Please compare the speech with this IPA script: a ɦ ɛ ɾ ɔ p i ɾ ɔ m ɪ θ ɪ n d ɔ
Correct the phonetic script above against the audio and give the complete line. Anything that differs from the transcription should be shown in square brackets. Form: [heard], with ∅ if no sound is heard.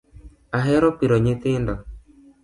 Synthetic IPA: a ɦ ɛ ɾ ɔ p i ɾ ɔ [ɲ] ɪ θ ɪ n d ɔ